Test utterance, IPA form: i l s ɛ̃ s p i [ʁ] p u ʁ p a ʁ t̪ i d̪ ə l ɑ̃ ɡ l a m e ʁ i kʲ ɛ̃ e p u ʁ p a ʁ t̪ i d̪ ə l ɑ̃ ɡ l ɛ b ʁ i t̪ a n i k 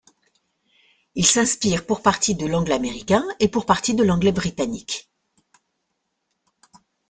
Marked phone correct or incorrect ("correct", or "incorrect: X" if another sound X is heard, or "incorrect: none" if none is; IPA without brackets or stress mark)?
correct